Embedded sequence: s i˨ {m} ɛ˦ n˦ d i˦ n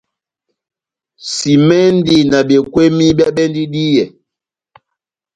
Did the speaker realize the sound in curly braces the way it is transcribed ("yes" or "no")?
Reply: yes